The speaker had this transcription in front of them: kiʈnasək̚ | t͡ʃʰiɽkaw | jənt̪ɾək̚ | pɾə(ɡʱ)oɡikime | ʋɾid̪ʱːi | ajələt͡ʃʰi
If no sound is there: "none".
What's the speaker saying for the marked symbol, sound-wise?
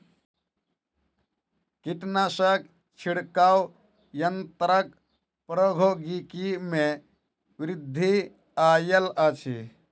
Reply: ɡʱ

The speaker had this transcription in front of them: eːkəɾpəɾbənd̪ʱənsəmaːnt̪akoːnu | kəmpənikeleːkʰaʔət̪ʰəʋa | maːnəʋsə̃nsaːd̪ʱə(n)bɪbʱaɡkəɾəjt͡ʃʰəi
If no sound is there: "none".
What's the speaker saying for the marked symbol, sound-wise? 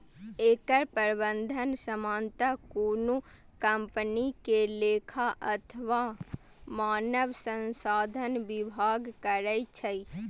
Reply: n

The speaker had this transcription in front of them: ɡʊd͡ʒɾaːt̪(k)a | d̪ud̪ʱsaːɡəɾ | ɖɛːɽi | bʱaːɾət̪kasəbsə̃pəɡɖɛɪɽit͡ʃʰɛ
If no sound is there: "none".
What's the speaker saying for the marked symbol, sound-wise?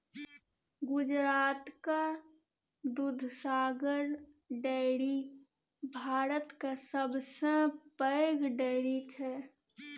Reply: k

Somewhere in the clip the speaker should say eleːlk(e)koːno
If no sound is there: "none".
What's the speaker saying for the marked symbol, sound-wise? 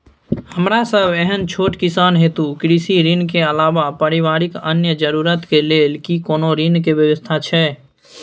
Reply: i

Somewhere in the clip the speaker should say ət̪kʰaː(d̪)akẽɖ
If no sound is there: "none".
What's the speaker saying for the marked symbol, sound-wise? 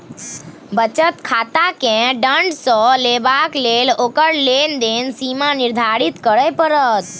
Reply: t̪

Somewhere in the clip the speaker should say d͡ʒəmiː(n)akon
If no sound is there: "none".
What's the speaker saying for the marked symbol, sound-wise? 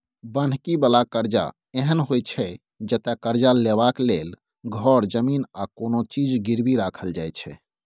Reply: n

